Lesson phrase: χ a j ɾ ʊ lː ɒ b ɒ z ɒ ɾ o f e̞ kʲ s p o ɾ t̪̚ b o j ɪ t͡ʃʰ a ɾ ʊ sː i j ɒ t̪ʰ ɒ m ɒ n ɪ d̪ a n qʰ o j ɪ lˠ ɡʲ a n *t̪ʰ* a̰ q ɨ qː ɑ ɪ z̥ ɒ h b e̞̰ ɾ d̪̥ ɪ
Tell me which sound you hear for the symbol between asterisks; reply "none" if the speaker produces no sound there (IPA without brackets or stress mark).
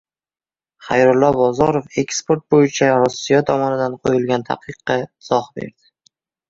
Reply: t̪ʰ